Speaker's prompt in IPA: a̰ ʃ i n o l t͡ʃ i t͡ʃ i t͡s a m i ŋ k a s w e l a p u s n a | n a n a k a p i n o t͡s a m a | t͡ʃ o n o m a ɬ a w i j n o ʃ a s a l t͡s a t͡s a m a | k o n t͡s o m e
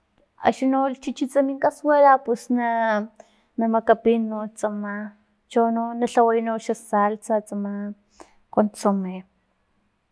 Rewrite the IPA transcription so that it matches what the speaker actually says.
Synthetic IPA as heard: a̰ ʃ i n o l t͡ʃ i t͡ʃ i t͡s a m i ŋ k a s w e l a p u s n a | n a m a k a p i n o t͡s a m a | t͡ʃ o n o n a ɬ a w a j n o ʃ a s a l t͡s a t͡s a m a | k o n t͡s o m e

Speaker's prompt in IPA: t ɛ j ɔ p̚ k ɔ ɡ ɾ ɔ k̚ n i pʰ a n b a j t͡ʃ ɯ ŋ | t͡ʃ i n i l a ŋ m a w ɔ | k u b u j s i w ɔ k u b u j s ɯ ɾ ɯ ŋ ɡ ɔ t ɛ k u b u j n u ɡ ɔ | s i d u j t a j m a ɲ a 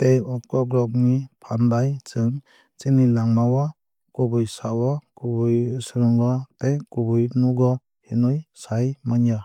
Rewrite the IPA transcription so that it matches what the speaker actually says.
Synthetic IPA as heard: t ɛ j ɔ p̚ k ɔ ɡ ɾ ɔ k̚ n i pʰ a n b a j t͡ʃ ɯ ŋ | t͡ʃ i n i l a ŋ m a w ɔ | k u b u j s a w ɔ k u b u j s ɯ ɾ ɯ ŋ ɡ ɔ t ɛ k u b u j n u ɡ ɔ | h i n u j s a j m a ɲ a

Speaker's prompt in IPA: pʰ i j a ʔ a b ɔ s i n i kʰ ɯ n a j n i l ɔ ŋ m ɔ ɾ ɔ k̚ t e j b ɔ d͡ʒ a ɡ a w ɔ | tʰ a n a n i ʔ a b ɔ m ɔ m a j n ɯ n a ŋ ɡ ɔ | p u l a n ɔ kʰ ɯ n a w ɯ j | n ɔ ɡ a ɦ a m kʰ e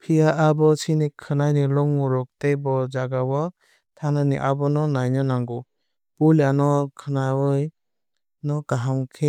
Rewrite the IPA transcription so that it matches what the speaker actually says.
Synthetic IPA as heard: pʰ i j a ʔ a b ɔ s i n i kʰ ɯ n a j n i l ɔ ŋ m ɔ ɾ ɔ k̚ t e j b ɔ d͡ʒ a ɡ a w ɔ | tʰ a n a n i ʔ a b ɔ n ɔ n a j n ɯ n a ŋ ɡ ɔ | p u l a n ɔ kʰ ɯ n a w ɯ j | n ɔ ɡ a ɦ a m kʰ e

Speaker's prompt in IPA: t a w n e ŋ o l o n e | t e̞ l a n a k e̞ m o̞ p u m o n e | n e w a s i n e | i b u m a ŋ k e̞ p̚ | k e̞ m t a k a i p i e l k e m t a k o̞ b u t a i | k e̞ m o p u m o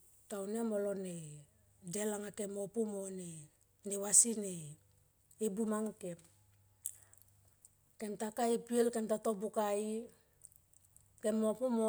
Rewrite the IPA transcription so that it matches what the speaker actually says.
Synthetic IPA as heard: t a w n e m o l o n e | d e̞ l a ŋ a k e̞ m o̞ p u m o n e | n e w a s i n e | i b u m a ŋ k e̞ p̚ | k e̞ m t a k a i p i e l k e m t a t o̞ b u k a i | k e̞ m o p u m o

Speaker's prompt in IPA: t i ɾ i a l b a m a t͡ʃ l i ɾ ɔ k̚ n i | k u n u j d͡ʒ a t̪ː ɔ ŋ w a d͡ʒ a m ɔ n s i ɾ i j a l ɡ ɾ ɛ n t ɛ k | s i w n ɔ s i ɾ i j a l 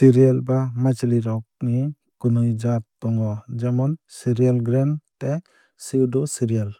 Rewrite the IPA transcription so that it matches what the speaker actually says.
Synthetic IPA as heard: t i ɾ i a l b a m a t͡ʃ l i ɾ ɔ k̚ n i | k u n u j d͡ʒ a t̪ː ɔ ŋ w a d͡ʒ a m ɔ n s i ɾ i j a l ɡ ɾ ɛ n t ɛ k | s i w d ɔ s i ɾ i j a l

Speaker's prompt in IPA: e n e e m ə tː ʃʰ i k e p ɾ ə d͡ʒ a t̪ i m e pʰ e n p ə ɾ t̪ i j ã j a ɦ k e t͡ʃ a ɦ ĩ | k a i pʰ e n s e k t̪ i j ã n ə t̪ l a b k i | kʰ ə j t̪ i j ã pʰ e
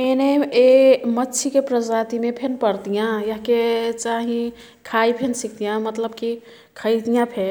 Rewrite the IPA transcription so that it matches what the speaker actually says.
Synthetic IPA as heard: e n e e m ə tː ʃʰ i k e p ɾ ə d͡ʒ a t̪ i m e pʰ e n p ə ɾ t̪ i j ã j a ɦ k e t͡ʃ a ɦ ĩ | kʰ a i pʰ e n s i k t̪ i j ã m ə t̪ l ə b k i | kʰ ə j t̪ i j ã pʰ e

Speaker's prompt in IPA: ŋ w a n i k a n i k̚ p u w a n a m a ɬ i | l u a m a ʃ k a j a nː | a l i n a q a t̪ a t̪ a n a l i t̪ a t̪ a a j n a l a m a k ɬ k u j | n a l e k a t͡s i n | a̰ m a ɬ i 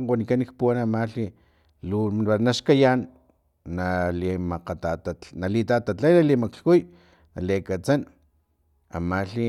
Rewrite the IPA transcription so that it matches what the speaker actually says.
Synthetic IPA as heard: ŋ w a n i k a n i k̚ p u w a n a m a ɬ i | l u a n a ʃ k a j a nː | a l i m a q a t̪ a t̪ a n a l i t̪ a t̪ a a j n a l i m a k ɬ k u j | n a l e k a t͡s a n | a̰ m a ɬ i

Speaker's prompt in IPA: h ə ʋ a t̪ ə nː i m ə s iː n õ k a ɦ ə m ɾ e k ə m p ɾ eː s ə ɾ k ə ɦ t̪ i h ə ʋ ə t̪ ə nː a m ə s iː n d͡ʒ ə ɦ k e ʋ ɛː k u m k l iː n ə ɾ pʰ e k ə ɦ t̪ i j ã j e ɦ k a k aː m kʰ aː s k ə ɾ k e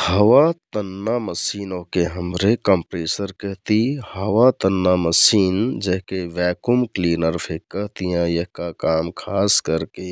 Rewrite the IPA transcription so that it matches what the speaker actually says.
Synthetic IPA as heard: h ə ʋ a t̪ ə nː a m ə s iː n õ k e ɦ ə m ɾ e k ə m p ɾ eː s ə ɾ k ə ɦ t̪ i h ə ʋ a t̪ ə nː a m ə s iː n d͡ʒ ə ɦ k e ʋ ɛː k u m k l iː n ə ɾ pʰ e k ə ɦ t̪ i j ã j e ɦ k a k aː m kʰ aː s k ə ɾ k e

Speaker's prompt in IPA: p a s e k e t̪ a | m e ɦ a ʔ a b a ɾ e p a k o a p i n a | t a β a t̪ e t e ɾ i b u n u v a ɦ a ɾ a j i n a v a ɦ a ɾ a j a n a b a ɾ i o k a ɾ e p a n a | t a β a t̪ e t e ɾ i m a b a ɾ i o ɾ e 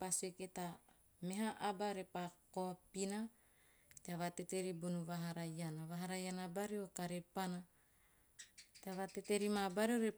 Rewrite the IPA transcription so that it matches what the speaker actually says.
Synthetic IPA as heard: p a s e k e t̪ a | m e ɦ a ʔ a b a ɾ e p a k o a p i n a | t a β a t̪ e t e ɾ i b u n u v a ɦ a ɾ a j a n a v a ɦ a ɾ a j a n a b a ɾ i o k a ɾ e p a n a | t a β a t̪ e t e ɾ i m a b a ɾ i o ɾ e

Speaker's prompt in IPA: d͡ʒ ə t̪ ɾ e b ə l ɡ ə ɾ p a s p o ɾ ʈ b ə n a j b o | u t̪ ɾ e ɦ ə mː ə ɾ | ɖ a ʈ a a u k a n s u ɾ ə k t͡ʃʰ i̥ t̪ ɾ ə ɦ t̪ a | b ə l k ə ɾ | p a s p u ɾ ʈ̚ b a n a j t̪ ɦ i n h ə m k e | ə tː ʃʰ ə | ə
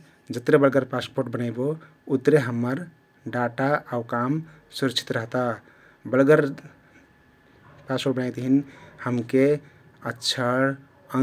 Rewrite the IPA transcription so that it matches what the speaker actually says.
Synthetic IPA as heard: d͡ʒ ə t̪ ɾ e b ə l ɡ ə ɾ p a s p o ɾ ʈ b ə n a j b o | u t̪ ɾ e ɦ ə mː ə ɾ | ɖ a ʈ a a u k a m s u ɾ ə k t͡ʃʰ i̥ t̪ ɾ ə ɦ t̪ a | b ə l ɡ ə ɾ | p a s p o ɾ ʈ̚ b ə n a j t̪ ɦ i n h ə m k e | ə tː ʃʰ ə | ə

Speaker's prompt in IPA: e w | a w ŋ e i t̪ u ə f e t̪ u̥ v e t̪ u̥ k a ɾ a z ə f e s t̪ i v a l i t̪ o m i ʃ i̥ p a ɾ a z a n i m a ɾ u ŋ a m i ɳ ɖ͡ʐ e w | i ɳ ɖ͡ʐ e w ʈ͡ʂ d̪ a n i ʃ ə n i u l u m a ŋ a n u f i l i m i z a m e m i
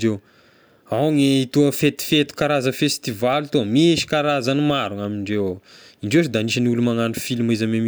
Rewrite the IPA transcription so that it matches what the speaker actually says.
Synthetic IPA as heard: e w | a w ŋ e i t̪ u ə f e t̪ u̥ f e t̪ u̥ k a ɾ a z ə f e s t̪ i v a l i t̪ o m i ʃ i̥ k a ɾ a z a n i m a ɾ u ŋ a m i ɳ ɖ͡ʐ e w | i ɳ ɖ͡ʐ e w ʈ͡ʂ d̪ a n i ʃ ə n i u l u m a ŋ a n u f i l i m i z a m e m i

